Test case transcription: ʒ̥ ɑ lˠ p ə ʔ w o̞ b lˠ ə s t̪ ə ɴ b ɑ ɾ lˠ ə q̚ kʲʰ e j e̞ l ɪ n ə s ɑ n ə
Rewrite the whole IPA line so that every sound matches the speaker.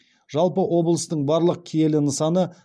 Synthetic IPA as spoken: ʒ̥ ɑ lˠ p ə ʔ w o̞ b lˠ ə s t̪ ə ɴ b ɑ ɾ lˠ ə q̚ kʲʰ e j e̞ l ɪ n ə s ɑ n ə